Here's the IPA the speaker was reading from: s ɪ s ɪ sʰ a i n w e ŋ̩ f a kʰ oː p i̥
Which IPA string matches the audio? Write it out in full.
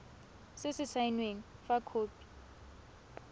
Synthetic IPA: s ɪ s ɪ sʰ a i n w e ŋ̩ f a kʰ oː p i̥